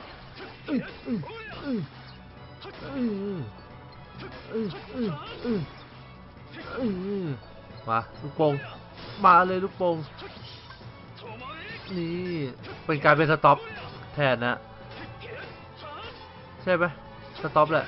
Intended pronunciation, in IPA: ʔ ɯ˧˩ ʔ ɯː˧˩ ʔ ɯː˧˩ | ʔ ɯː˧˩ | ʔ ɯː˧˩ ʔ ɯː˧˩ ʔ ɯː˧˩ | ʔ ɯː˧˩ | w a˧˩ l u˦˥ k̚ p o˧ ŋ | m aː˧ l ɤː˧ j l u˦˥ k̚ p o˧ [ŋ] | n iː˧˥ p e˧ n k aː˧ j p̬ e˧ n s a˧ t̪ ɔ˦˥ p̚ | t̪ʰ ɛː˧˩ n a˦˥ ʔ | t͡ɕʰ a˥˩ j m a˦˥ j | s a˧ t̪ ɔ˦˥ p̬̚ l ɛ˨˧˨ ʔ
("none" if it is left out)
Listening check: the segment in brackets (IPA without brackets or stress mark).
ŋ